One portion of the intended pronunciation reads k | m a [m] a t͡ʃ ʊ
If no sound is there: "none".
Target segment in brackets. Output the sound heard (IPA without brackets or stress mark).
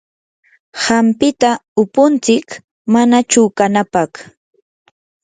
n